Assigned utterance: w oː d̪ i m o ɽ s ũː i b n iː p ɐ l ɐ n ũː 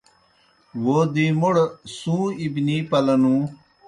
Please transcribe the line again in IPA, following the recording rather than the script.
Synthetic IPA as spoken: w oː d̪ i m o ɽ s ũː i b n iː p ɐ l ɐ n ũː